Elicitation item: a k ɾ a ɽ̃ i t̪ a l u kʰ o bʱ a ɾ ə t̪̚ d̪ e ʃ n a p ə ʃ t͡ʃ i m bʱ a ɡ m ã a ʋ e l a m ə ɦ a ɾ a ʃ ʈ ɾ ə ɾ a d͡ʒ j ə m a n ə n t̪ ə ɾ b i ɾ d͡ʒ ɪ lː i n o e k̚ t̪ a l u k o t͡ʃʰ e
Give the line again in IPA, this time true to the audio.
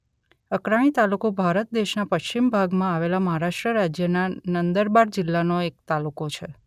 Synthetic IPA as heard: ə k ɾ a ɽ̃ i t̪ a l u k o bʱ a ɾ ə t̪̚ d̪ e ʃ n a p ə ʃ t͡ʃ i m bʱ a ɡ m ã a ʋ e l a m ə ɦ a ɾ a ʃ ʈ ɾ ə ɾ a d͡ʒ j ə n a n ə n d̪ ə ɾ b a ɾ d͡ʒ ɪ lː a n o e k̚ t̪ a l u k o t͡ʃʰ e